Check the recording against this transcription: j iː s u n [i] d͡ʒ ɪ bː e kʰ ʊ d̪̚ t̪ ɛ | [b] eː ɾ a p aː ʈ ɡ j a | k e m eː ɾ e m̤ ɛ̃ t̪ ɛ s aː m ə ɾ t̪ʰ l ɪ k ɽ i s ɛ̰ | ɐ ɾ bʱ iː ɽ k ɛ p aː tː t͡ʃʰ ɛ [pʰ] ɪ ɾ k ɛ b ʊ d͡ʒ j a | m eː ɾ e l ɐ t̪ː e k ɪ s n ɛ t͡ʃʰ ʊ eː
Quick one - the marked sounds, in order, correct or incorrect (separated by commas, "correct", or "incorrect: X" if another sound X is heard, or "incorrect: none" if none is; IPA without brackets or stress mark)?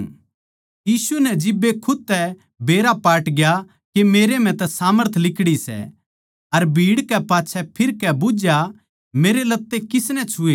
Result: incorrect: ɛ, correct, correct